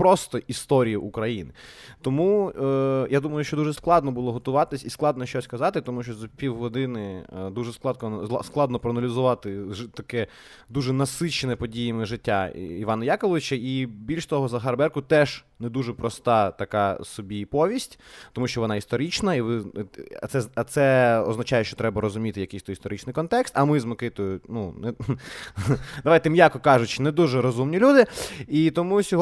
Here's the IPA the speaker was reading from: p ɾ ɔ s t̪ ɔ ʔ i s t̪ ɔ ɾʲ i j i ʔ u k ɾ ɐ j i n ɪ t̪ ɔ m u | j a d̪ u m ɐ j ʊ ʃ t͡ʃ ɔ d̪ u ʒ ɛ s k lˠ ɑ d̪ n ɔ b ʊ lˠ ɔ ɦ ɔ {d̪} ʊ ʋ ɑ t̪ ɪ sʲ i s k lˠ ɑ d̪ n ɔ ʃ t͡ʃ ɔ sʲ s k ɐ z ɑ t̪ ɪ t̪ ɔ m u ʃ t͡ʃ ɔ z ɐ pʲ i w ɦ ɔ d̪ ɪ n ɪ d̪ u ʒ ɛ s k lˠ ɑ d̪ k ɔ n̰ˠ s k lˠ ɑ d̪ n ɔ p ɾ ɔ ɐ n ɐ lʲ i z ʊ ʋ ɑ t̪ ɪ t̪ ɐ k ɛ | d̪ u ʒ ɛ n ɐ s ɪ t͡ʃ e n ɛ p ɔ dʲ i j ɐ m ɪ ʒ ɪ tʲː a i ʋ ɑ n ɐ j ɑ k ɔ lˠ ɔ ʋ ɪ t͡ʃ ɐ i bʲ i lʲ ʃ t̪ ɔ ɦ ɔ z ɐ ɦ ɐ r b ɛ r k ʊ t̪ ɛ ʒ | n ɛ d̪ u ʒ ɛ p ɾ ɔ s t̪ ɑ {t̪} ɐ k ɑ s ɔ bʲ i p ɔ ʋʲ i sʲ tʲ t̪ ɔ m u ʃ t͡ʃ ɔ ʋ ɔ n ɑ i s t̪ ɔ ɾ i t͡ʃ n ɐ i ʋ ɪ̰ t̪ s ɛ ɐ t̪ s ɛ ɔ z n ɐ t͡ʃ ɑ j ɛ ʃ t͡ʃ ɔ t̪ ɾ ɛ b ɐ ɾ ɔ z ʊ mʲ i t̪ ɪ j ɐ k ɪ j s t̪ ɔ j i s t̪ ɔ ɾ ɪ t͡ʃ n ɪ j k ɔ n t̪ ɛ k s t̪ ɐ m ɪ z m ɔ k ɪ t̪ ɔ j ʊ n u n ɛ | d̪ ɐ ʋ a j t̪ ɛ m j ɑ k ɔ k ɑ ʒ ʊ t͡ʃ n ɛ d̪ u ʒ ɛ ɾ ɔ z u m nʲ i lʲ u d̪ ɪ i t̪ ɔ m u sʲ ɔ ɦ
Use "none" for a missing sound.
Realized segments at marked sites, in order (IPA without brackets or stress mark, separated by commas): t̪, t̪